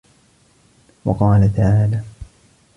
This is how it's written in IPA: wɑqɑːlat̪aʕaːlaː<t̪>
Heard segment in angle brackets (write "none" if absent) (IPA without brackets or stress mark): none